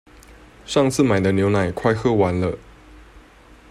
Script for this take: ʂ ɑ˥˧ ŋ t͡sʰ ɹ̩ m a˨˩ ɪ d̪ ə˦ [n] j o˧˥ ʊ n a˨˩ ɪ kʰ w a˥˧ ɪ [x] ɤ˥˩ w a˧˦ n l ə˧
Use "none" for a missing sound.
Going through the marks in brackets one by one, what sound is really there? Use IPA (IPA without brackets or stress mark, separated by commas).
n, x